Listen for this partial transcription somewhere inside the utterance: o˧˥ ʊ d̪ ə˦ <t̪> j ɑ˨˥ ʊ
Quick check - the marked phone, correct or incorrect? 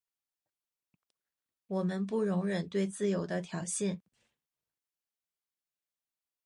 incorrect